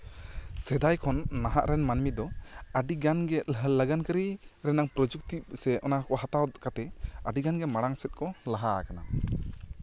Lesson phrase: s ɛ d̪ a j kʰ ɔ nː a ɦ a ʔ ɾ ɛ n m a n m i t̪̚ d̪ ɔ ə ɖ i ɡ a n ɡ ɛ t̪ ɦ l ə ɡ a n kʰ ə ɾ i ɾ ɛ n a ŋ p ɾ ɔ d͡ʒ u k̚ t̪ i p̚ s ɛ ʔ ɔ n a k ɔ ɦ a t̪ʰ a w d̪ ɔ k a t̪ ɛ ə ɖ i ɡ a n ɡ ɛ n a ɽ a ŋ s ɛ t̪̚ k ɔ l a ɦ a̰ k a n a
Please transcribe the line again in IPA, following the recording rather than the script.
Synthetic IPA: s ɛ d̪ a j kʰ ɔ nː a ɦ a ʔ ɾ ɛ n m a n m i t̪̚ d̪ ɔ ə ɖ i ɡ a n ɡ ɛ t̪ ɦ l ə ɡ a n k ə ɾ i ɾ ɛ n a ŋ p ɾ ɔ d͡ʒ u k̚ t̪ i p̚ s ɛ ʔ ɔ n a k ɔ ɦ a t̪ a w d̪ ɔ k a t̪ ɛ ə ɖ i ɡ a n ɡ ɛ m a ɽ a ŋ s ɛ t̪̚ k ɔ l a ɦ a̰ k a n a